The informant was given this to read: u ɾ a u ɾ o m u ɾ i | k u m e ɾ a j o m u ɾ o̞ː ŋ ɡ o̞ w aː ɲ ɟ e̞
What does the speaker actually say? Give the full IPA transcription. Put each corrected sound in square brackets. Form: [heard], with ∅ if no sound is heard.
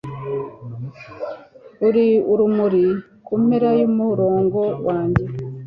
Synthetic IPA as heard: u ɾ [i] u ɾ [u] m u ɾ i | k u m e ɾ a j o m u ɾ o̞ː ŋ ɡ o̞ w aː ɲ ɟ e̞